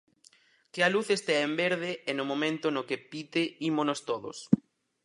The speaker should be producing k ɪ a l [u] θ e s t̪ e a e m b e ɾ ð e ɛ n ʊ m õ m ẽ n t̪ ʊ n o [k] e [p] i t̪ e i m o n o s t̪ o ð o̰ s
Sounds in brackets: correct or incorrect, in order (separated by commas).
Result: correct, correct, correct